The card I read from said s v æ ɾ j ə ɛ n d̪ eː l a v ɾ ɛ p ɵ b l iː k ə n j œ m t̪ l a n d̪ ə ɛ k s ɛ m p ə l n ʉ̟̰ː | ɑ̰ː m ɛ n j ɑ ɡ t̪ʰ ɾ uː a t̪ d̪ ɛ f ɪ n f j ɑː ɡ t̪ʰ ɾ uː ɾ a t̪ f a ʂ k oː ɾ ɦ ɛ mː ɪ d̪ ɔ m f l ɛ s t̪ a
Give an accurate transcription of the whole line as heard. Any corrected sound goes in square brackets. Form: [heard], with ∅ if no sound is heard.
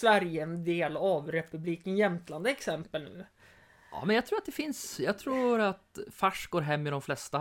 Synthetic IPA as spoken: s v æ ɾ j ə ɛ n d̪ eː l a v ɾ ɛ p ɵ b l iː k ə n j [ɛ] m t̪ l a n d̪ ə ɛ k s ɛ m p ə l n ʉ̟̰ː | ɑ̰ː m ɛ n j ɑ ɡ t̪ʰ ɾ uː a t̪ d̪ ɛ f ɪ n [s] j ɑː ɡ t̪ʰ ɾ uː ɾ a t̪ f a ʂ [ɡ] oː ɾ ɦ ɛ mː ɪ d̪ ɔ m f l ɛ s t̪ a